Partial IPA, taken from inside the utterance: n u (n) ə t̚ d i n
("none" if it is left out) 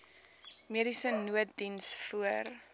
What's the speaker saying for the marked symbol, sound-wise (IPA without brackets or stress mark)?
none